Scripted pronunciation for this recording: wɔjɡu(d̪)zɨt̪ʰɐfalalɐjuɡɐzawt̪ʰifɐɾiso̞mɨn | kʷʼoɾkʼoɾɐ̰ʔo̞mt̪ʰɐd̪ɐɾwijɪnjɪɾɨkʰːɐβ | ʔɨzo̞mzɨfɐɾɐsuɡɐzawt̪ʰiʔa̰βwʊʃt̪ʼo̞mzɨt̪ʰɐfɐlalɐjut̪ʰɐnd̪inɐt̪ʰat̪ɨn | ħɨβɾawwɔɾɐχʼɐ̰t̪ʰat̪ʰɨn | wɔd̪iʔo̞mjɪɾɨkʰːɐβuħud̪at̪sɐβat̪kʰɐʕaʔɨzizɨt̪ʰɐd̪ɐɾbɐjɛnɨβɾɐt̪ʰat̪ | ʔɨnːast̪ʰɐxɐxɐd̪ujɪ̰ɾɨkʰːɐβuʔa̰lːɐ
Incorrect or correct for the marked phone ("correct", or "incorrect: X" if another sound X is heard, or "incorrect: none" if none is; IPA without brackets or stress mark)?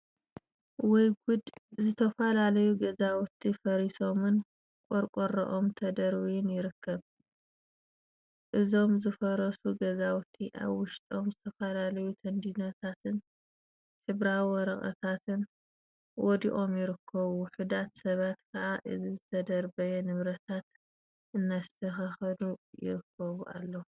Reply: correct